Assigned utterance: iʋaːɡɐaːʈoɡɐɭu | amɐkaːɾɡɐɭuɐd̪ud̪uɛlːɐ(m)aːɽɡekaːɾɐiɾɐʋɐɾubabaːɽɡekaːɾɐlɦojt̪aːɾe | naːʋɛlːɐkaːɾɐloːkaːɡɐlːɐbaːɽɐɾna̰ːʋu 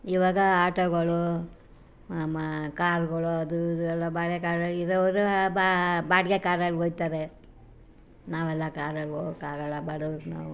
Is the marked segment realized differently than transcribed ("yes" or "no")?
yes